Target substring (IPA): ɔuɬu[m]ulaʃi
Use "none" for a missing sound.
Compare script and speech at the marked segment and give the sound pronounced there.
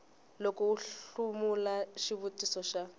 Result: m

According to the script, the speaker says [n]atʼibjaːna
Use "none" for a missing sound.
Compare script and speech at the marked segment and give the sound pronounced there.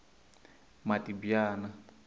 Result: m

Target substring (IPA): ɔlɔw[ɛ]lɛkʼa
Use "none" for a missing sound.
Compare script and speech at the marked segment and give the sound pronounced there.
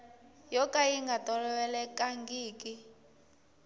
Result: ɛ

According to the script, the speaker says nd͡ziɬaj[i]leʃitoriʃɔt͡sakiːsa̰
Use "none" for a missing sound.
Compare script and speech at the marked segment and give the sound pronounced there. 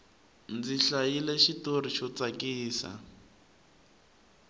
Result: i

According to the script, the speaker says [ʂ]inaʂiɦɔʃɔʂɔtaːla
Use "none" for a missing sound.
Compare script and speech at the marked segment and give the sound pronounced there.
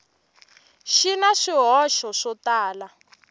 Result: ʃ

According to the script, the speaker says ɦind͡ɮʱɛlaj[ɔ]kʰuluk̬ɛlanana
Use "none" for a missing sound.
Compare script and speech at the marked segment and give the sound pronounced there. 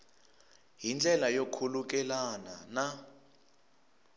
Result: o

